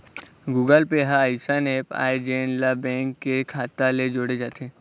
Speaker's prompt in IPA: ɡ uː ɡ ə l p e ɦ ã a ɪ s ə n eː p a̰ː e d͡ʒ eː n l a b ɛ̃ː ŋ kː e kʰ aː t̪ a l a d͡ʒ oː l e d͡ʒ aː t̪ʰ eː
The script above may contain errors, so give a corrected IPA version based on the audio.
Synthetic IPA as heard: ɡ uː ɡ ə l p e ɦ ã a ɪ s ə n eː p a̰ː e d͡ʒ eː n l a b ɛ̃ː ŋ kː e kʰ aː t̪ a l e d͡ʒ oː ɽ e d͡ʒ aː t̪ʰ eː